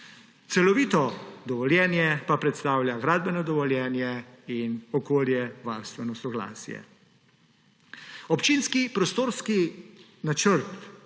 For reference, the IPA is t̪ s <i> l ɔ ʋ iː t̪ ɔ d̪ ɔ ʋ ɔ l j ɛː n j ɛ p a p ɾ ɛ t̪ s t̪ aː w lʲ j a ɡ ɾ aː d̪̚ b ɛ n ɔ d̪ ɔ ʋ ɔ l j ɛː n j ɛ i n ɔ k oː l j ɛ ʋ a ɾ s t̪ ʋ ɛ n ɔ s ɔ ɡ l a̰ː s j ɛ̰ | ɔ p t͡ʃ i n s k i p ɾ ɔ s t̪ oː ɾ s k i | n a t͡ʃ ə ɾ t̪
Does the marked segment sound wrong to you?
yes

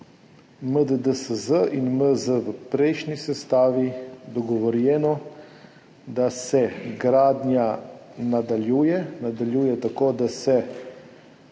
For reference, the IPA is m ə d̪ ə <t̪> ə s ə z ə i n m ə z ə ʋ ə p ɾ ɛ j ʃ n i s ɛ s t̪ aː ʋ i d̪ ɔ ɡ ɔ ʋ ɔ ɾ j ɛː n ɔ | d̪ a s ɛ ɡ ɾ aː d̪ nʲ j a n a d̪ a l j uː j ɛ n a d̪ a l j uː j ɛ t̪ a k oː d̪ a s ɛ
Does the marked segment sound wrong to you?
yes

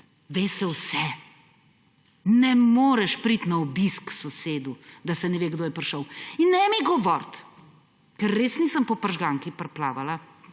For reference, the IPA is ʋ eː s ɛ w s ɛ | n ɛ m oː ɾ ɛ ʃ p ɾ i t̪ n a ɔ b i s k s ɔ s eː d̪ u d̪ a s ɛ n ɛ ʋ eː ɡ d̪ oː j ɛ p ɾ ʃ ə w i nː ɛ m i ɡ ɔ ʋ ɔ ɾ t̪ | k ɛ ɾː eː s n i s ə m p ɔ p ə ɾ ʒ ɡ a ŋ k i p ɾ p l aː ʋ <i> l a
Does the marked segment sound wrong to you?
yes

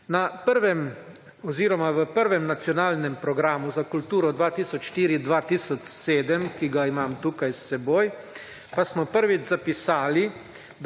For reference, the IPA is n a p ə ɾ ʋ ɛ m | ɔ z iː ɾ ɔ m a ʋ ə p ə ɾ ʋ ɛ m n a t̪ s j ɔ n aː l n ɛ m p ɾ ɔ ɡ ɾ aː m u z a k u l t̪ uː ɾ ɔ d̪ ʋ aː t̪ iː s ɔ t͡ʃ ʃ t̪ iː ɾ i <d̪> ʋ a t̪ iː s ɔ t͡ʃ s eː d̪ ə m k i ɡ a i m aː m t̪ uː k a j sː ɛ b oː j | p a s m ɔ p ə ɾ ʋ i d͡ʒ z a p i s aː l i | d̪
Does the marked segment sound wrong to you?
no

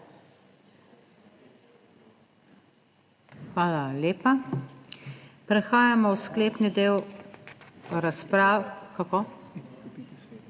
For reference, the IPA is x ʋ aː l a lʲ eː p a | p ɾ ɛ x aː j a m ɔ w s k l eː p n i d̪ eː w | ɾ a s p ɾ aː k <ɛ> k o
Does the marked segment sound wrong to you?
yes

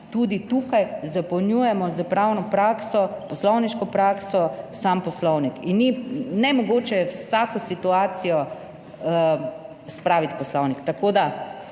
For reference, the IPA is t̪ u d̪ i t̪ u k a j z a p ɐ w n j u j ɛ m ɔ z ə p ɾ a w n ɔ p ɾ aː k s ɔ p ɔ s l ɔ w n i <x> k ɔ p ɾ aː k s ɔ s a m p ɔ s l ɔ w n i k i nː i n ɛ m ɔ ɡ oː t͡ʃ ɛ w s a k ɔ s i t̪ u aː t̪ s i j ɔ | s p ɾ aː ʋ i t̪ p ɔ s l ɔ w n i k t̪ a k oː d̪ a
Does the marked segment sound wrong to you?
yes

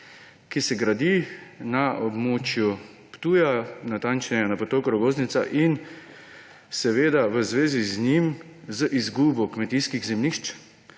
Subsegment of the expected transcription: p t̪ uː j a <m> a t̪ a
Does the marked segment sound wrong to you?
yes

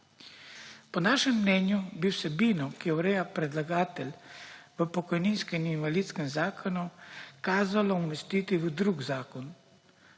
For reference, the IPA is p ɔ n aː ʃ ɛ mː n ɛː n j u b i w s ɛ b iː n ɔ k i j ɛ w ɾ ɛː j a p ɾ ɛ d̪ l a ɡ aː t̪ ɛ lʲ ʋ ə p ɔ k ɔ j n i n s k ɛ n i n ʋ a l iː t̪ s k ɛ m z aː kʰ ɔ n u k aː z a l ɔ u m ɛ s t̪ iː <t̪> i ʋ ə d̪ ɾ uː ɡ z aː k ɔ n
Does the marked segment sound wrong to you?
no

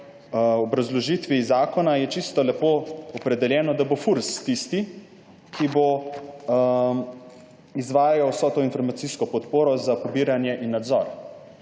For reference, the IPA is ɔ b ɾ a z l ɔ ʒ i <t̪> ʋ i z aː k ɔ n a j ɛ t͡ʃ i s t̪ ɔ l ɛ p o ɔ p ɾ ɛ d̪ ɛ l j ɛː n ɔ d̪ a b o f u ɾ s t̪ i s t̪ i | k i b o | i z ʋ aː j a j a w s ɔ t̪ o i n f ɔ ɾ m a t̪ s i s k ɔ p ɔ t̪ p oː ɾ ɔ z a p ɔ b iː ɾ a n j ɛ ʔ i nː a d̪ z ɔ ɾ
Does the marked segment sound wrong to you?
no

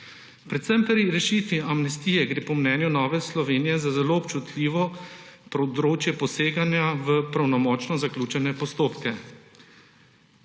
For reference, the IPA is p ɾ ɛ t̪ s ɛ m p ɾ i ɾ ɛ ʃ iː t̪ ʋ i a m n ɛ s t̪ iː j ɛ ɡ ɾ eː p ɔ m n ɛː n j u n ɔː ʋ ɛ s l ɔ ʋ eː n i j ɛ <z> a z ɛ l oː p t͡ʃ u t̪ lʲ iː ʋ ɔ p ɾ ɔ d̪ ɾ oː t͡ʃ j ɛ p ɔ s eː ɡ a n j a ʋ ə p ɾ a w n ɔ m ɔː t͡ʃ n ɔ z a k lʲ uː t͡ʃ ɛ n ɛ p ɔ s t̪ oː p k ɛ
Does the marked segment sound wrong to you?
no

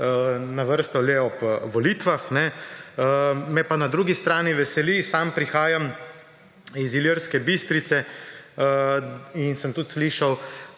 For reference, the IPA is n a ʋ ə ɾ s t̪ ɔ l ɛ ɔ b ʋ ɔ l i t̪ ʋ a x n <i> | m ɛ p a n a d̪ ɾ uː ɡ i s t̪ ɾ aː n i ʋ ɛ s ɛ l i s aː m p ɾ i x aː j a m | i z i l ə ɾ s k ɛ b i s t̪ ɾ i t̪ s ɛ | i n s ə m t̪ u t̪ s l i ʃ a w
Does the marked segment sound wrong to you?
yes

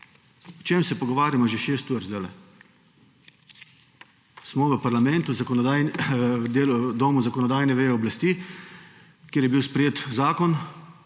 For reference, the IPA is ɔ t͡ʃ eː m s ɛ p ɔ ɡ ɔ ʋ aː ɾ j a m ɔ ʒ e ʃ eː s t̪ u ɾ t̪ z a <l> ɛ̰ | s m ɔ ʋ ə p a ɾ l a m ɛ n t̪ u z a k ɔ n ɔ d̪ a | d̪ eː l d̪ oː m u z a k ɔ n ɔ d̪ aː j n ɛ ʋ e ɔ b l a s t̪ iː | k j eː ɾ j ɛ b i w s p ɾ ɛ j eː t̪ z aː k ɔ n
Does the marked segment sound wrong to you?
no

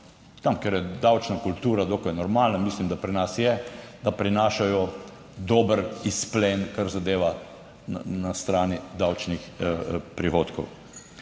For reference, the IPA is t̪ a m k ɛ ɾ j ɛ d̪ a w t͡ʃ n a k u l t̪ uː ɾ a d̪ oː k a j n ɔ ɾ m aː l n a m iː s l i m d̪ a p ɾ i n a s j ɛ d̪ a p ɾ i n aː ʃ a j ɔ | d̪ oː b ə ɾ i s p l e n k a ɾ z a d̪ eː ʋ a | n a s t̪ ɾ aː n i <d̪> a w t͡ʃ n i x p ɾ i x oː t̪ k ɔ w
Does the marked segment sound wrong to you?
no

